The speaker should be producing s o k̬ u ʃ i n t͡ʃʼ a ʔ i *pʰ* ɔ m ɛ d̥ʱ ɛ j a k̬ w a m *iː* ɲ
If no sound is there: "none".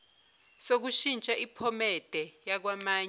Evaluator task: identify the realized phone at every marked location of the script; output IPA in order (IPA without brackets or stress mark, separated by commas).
pʰ, aː